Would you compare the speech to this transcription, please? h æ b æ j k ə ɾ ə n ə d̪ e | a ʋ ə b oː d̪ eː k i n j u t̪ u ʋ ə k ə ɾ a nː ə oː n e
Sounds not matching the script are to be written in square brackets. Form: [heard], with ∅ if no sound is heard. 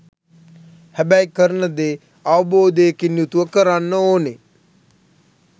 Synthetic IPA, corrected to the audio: h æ b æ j k ə ɾ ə n ə d̪ e | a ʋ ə b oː d̪ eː k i n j u t̪ u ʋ ə k ə ɾ a nː ə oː n e